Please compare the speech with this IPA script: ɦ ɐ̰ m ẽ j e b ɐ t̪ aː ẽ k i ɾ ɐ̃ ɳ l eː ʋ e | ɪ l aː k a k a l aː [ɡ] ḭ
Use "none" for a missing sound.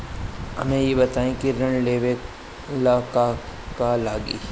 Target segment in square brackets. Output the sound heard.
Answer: ɡ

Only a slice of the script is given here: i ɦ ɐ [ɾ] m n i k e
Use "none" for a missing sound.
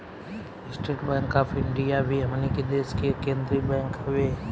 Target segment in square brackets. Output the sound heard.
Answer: none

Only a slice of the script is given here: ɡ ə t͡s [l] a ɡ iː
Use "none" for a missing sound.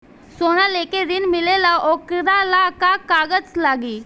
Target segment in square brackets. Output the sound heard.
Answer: l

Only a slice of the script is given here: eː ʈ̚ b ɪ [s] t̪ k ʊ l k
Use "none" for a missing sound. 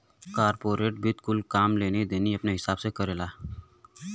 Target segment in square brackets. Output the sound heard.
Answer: none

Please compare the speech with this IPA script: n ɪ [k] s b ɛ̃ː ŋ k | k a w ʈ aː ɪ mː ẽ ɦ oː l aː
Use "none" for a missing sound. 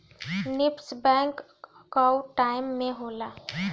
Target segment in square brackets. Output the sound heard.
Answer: p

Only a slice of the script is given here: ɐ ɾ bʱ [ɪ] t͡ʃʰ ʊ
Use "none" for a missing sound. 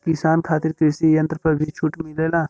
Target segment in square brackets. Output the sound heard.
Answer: i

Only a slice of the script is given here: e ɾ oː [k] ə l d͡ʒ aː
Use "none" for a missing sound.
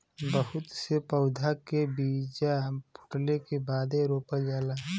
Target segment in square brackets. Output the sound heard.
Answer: p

